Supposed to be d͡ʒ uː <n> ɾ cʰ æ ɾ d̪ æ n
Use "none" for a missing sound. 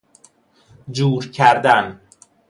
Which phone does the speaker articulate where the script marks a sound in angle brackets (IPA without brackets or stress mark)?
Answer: none